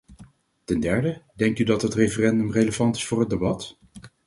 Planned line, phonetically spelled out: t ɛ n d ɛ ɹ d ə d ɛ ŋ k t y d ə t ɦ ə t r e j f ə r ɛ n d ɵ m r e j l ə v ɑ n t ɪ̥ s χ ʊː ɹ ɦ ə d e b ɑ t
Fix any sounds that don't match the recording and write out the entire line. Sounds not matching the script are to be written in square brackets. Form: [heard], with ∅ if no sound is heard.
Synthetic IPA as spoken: t ɛ n d ɛ ɹ d ə d ɛ ŋ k t y d [ɑ] t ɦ ə t r e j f ə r ɛ n d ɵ m r e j l ə v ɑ n t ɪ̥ s [f] ʊː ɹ ɦ ə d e b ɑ t